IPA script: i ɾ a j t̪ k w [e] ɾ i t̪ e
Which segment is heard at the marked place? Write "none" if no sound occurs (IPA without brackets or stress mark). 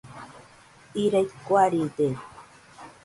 a